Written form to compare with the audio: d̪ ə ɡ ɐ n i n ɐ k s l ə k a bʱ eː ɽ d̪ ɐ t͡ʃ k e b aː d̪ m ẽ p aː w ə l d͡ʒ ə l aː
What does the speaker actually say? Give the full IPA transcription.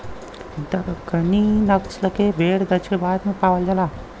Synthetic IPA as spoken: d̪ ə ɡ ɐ n i n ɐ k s l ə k e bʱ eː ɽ d̪ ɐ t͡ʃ k e b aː d̪ m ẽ p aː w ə l d͡ʒ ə l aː